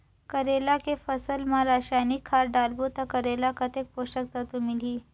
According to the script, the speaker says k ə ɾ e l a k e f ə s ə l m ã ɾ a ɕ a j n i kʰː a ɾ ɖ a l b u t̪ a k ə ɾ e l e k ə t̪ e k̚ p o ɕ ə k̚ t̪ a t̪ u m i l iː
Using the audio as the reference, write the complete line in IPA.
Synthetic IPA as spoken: k ə ɾ e l a k e f ə s ə l m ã ɾ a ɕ a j n i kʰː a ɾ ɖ a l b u t̪ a k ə ɾ e l a k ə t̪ e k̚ p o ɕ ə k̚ t̪ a t̪ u m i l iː